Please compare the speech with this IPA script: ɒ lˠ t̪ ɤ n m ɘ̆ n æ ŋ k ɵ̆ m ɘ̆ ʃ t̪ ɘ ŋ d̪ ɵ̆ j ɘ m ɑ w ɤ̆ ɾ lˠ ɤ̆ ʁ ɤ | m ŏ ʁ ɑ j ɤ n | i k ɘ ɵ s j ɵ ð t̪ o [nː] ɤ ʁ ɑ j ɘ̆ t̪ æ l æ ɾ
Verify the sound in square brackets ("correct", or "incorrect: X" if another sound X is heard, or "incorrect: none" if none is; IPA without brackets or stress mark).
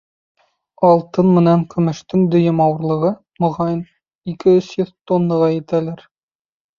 correct